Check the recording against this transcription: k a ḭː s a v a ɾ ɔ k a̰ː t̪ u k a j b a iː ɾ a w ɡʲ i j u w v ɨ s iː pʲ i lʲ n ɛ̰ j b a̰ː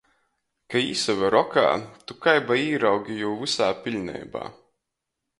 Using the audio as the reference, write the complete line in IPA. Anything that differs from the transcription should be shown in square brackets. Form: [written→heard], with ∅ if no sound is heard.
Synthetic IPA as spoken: k a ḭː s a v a ɾ ɔ k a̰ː t̪ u k a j b a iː ɾ a w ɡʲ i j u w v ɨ s [iː→aː] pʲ i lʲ n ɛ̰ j b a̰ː

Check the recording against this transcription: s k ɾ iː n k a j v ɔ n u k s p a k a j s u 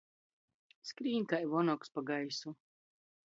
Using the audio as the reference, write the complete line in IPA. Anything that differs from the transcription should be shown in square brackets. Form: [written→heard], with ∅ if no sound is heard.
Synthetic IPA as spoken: s k ɾ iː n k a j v ɔ n [u→ɔ] k s p a [k→ɡ] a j s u

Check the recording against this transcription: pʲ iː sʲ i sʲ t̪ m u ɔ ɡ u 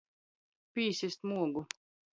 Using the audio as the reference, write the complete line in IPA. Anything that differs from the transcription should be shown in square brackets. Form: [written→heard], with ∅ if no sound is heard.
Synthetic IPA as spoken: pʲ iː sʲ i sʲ t̪ m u ɔ ɡ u

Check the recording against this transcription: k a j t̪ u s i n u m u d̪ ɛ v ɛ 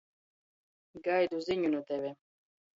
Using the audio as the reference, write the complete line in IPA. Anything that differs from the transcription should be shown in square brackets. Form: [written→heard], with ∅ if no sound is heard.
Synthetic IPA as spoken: [k→ɡ] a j [t̪→d̪] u [s→z] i [n→ɲ] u [m→n] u [d̪→t̪] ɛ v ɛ

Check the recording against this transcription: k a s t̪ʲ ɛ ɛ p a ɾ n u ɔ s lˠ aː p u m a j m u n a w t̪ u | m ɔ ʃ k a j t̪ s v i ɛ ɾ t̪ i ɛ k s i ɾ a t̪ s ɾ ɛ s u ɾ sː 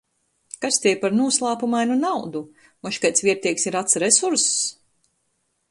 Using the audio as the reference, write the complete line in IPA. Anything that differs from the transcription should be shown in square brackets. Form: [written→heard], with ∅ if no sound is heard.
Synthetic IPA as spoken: k a s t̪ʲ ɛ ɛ p a ɾ n u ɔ s lˠ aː p u m a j [m→n] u n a w [t̪→d̪] u | m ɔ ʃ k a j t̪ s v i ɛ ɾ t̪ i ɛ k s i ɾ a t̪ s ɾ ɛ s u ɾ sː

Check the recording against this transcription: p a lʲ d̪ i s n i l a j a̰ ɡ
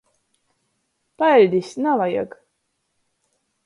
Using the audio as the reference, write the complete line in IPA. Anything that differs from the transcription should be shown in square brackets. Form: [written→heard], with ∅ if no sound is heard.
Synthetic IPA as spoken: p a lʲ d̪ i s n [i→a] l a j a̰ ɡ

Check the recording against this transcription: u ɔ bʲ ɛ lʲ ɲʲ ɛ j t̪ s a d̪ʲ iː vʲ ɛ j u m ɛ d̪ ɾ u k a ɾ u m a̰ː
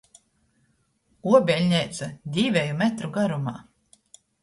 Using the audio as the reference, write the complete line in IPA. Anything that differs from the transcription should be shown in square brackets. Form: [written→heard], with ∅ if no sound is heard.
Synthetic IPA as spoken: u ɔ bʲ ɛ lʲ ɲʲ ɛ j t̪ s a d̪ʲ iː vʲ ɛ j u m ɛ [d̪→t̪] ɾ u [k→ɡ] a ɾ u m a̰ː

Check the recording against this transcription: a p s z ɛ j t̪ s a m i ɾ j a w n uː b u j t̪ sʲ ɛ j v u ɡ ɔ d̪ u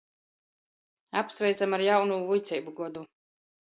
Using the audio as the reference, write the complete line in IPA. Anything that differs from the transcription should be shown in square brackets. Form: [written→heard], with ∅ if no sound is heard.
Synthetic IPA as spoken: a p s [z→v] ɛ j t̪ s a m [i→a] ɾ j a w n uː [b→v] u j t̪ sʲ ɛ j [v→b] u ɡ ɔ d̪ u

